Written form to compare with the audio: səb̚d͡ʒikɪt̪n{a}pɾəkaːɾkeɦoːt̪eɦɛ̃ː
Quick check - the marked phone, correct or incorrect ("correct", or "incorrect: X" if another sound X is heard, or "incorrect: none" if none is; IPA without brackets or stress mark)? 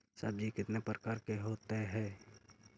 incorrect: e